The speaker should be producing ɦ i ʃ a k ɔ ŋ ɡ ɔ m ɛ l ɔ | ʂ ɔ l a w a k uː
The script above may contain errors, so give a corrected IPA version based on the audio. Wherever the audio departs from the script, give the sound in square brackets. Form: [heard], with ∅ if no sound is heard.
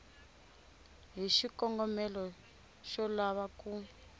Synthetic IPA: ɦ i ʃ [i] k ɔ ŋ ɡ ɔ m ɛ l ɔ | [ʃ] ɔ l a [β] a k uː